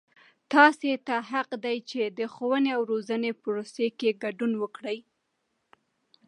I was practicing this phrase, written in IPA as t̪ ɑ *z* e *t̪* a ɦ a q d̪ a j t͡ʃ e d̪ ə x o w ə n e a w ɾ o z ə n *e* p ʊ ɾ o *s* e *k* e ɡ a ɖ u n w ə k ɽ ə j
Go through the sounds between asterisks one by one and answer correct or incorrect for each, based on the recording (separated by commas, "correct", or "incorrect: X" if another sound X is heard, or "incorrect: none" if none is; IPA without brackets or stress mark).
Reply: incorrect: s, correct, correct, correct, correct